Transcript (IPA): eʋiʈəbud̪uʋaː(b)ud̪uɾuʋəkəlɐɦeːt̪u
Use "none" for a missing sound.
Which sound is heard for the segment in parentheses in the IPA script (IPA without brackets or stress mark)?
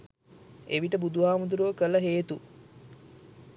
m